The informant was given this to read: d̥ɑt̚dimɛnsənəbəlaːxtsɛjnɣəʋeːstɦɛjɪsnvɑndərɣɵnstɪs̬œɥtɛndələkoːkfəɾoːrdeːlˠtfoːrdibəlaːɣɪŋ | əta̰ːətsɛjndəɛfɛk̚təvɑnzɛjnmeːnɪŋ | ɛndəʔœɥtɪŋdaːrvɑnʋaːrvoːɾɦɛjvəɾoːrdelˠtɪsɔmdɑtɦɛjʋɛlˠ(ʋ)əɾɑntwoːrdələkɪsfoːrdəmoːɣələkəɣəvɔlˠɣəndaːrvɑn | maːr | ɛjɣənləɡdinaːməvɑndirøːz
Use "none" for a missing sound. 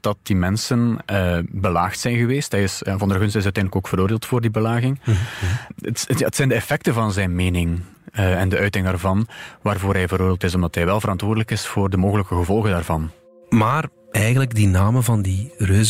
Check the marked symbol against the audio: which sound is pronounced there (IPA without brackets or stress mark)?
v